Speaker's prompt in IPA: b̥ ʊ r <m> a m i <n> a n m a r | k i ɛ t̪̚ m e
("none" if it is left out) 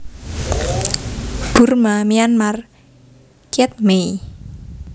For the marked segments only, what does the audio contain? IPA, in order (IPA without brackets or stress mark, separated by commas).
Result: m, none